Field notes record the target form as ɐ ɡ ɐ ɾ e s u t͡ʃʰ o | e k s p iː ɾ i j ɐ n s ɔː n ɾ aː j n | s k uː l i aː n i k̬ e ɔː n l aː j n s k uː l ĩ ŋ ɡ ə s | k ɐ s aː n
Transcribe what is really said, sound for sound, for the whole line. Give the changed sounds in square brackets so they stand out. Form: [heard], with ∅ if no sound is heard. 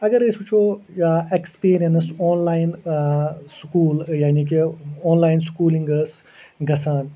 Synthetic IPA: ɐ ɡ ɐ ɾ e s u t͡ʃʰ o | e k s p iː ɾ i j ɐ n s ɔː n [l] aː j n | s k uː l [j] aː n i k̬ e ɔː n l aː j n s k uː l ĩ ŋ ɡ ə s | [ɡ] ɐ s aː n